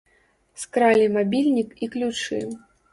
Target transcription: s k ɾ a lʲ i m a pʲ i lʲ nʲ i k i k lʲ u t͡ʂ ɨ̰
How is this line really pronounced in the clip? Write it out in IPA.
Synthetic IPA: s k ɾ a lʲ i m a bʲ i lʲ nʲ i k i k lʲ u t͡ʂ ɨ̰